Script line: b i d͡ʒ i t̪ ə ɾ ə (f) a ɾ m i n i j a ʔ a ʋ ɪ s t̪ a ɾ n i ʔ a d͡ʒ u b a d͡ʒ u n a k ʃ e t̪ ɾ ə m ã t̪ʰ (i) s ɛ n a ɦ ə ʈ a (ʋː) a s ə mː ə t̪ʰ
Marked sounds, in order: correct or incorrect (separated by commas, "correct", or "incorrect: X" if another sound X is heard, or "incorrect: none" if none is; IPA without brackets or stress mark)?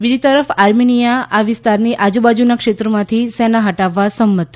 correct, correct, correct